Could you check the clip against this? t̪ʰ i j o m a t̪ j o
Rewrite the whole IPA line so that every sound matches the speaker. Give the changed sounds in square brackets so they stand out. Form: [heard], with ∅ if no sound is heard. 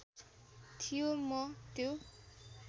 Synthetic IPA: t̪ʰ i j o m [ʌ] t̪ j o

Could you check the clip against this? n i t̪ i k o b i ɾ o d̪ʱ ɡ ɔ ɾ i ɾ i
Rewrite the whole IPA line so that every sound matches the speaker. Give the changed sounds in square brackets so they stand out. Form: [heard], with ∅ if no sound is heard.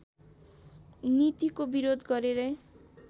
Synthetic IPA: n i t̪ i k o b i ɾ o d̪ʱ ɡ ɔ ɾ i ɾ [e]

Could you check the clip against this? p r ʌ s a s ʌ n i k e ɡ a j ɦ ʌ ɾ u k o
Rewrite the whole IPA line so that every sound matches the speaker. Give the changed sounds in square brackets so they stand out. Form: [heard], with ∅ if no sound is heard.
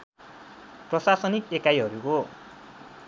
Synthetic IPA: p r ʌ s a s ʌ n i k e [k] a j ɦ ʌ ɾ u k o

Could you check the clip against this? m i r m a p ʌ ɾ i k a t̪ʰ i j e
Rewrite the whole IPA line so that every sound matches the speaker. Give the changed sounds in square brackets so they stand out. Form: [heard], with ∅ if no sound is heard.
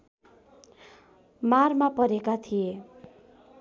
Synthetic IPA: m [a] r m a p ʌ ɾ [e] k a t̪ʰ i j e

